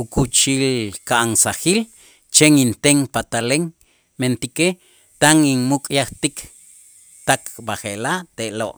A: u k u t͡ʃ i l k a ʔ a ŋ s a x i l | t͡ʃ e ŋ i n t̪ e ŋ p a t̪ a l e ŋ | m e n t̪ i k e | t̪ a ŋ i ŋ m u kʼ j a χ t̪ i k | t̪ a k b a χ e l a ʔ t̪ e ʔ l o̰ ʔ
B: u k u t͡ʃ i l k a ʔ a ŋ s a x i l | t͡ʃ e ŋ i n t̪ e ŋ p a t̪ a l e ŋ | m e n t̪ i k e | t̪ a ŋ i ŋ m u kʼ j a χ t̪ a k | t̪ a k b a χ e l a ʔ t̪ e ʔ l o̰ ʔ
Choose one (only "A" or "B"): A